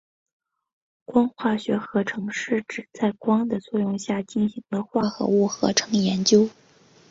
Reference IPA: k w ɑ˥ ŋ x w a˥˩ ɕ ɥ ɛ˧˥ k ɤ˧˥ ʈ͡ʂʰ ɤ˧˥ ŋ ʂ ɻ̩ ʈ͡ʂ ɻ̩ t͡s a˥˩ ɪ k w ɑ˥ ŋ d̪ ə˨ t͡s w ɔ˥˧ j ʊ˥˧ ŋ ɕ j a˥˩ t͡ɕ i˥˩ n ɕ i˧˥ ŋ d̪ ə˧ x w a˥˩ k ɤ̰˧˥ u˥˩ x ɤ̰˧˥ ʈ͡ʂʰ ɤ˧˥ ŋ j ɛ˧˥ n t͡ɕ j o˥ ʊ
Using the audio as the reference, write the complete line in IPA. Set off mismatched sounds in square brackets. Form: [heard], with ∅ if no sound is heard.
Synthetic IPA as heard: k w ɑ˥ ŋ x w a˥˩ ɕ ɥ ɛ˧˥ [x] ɤ˧˥ ʈ͡ʂʰ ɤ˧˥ ŋ ʂ ɻ̩ ʈ͡ʂ ɻ̩ t͡s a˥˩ ɪ k w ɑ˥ ŋ d̪ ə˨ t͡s w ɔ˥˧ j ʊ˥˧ ŋ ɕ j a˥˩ t͡ɕ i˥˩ n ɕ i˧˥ ŋ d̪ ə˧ x w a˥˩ [x] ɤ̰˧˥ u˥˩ x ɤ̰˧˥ ʈ͡ʂʰ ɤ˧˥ ŋ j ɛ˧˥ n t͡ɕ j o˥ ʊ

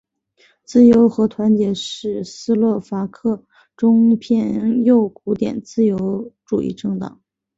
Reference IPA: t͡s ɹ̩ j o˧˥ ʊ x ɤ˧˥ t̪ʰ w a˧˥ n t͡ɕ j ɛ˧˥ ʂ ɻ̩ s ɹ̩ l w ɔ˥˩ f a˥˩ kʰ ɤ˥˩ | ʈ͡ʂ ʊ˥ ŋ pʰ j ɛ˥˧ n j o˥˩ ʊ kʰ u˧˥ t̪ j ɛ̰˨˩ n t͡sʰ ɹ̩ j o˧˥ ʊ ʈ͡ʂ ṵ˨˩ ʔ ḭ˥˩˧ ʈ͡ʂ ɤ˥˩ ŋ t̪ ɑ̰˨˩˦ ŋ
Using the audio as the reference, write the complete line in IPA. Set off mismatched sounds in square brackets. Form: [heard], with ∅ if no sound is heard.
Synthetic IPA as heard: t͡s ɹ̩ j o˧˥ ʊ x ɤ˧˥ t̪ʰ w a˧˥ n t͡ɕ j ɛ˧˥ ʂ ɻ̩ s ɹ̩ l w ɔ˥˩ f [a˧˥] kʰ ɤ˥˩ | ʈ͡ʂ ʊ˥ ŋ pʰ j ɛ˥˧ n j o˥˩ ʊ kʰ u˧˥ t̪ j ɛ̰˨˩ n [t͡s] ɹ̩ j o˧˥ ʊ ʈ͡ʂ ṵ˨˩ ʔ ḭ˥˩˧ ʈ͡ʂ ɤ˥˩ ŋ t̪ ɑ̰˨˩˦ ŋ

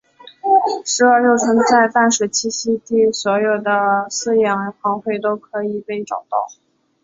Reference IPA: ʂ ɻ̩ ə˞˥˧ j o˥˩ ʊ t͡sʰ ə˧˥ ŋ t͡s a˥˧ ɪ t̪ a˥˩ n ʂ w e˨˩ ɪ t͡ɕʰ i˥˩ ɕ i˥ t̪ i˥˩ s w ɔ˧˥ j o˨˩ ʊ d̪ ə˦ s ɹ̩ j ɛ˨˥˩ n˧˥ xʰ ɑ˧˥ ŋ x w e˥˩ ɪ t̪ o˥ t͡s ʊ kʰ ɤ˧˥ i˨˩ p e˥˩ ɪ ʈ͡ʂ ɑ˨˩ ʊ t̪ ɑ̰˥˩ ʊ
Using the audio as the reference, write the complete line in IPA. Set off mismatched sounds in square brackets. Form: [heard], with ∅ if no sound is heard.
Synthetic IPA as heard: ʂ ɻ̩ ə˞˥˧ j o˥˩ ʊ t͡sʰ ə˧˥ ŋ t͡s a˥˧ ɪ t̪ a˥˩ n ʂ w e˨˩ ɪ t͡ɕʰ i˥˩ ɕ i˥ t̪ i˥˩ s w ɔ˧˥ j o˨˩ ʊ d̪ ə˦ s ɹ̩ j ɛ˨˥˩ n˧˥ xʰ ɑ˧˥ ŋ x w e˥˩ ɪ t̪ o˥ [∅] ʊ kʰ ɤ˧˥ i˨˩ p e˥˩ ɪ ʈ͡ʂ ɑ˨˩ ʊ t̪ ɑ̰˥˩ ʊ

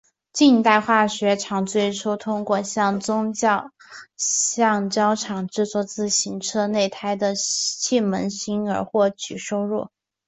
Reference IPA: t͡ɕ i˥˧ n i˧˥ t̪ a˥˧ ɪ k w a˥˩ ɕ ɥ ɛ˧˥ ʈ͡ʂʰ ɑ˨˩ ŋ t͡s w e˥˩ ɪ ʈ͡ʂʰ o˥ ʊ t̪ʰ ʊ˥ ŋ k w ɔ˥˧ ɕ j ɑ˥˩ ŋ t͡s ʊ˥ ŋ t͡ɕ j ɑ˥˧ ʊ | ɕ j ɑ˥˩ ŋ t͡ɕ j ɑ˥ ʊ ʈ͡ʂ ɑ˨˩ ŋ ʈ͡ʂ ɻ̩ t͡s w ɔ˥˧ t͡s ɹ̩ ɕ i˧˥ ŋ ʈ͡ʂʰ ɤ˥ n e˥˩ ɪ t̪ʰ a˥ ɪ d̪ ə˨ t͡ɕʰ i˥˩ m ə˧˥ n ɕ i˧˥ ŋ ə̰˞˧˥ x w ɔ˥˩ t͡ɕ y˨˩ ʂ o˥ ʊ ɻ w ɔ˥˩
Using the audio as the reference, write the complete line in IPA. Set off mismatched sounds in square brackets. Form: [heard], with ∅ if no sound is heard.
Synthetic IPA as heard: t͡ɕ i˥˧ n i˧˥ t̪ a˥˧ ɪ [x] w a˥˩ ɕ ɥ ɛ˧˥ ʈ͡ʂʰ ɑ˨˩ ŋ t͡s w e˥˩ ɪ ʈ͡ʂʰ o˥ ʊ t̪ʰ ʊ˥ ŋ k w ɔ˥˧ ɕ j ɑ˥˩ ŋ t͡s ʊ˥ ŋ t͡ɕ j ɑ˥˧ ʊ | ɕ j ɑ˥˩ ŋ t͡ɕ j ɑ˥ ʊ [ʈ͡ʂʰ] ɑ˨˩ ŋ ʈ͡ʂ ɻ̩ t͡s w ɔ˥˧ t͡s ɹ̩ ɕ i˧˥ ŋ ʈ͡ʂʰ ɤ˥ n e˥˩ ɪ t̪ʰ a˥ ɪ d̪ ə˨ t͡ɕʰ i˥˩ m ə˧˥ n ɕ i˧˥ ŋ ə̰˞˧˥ x w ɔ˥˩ t͡ɕ y˨˩ ʂ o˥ ʊ ɻ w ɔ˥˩

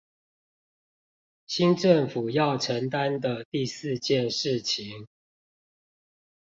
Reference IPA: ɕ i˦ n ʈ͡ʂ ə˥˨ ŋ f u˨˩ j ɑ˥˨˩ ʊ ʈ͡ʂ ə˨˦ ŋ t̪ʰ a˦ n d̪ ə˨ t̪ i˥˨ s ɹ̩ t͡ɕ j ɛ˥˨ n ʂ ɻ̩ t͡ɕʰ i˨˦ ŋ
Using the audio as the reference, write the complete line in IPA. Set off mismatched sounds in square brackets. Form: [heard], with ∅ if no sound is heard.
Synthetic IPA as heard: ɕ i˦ n ʈ͡ʂ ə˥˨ ŋ f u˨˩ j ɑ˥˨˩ ʊ [ʈ͡ʂʰ] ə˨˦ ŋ [t̪] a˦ n d̪ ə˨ t̪ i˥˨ s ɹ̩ t͡ɕ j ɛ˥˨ n ʂ ɻ̩ t͡ɕʰ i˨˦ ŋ

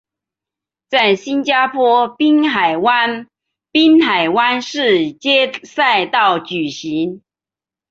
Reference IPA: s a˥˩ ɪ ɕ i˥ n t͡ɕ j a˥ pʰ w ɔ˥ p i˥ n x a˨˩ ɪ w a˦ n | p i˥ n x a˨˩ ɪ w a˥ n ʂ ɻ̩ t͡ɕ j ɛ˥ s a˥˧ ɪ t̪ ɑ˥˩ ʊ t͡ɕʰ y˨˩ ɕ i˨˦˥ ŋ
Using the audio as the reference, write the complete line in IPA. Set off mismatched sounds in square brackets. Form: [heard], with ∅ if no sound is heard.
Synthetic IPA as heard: [t͡s] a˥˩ ɪ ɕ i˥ n t͡ɕ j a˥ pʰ w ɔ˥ p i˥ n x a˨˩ ɪ w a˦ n | p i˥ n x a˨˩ ɪ w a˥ n ʂ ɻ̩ t͡ɕ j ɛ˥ s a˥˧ ɪ t̪ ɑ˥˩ ʊ [t͡ɕ] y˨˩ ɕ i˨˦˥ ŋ

